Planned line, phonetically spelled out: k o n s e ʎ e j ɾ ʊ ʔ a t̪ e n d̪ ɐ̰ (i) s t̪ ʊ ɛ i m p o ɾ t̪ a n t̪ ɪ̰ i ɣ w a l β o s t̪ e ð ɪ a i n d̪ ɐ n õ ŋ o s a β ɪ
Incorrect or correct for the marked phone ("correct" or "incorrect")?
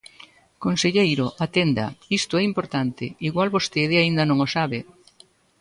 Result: correct